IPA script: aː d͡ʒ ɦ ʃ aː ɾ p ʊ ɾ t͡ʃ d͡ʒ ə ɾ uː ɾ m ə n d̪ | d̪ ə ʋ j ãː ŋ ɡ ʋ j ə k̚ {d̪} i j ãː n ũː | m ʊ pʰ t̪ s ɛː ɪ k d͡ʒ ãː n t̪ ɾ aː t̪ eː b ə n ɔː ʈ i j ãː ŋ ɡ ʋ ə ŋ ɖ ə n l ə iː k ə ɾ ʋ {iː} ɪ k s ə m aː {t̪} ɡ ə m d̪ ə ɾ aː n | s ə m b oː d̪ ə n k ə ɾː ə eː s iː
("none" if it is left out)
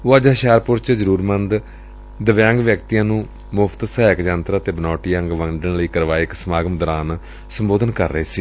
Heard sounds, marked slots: t̪, aː, none

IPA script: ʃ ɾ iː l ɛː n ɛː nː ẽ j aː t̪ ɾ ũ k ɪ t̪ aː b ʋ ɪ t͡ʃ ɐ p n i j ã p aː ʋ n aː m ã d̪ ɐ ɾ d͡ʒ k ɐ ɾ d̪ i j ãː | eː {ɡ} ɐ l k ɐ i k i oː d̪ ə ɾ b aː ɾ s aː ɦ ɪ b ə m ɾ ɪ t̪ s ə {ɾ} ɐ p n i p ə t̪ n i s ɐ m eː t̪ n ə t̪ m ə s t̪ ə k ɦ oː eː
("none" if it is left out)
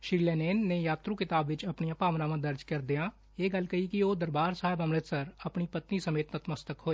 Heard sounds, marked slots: ɡ, ɾ

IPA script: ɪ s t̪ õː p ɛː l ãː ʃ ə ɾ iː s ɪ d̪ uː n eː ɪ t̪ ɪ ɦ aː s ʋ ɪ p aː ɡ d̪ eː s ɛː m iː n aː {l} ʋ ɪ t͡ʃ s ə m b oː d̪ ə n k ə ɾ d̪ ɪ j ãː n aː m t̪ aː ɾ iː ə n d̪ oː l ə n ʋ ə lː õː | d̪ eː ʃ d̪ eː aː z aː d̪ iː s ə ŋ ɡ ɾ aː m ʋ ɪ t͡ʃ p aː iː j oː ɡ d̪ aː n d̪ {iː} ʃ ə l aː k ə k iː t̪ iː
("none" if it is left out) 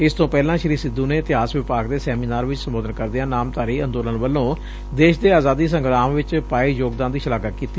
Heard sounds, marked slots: ɾ, iː

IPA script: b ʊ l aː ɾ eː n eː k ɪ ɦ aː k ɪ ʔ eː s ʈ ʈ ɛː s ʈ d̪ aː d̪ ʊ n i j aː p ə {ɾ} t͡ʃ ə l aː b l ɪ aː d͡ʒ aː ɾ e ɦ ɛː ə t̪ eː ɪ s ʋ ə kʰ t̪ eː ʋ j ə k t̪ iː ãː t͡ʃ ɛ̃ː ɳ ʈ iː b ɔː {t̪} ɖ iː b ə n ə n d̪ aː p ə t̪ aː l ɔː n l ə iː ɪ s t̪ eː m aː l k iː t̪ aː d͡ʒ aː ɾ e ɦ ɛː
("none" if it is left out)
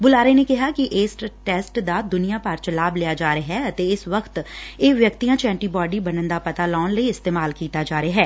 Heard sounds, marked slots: ɾ, none

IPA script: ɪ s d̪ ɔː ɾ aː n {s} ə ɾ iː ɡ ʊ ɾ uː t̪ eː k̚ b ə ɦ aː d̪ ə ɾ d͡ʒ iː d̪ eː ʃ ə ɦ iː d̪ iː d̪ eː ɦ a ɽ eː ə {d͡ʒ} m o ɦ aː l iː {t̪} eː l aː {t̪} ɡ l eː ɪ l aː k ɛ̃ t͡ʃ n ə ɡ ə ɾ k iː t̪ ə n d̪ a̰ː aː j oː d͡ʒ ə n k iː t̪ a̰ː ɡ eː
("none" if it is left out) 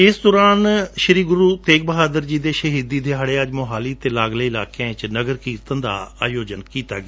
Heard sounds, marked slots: ʃ, d͡ʒ, t̪, none

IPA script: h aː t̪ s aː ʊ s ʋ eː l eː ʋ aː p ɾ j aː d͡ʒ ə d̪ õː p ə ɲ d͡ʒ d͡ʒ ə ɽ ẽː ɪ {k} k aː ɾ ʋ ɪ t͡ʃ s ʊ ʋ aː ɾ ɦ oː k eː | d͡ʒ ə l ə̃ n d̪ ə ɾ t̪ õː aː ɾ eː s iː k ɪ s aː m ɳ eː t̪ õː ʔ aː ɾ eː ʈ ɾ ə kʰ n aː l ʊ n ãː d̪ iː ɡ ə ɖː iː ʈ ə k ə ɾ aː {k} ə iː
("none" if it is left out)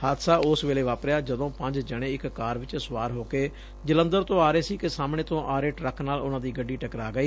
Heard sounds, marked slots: k, ɡ

